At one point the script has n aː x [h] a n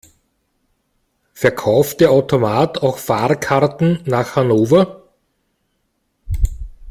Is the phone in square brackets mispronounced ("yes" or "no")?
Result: no